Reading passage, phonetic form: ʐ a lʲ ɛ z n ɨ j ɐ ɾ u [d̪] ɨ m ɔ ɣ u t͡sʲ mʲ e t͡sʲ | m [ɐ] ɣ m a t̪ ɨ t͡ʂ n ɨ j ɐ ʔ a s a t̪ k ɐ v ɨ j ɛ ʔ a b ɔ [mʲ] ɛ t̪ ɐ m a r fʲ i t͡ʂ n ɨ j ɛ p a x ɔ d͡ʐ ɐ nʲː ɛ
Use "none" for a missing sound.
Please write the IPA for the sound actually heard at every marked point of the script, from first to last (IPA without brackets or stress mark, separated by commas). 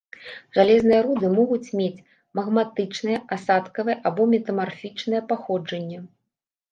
d̪, ɐ, mʲ